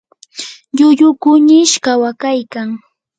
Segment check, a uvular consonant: absent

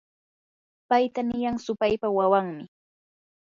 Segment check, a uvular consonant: absent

